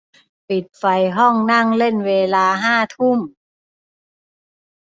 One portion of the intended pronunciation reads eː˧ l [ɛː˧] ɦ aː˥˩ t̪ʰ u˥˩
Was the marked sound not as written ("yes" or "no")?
yes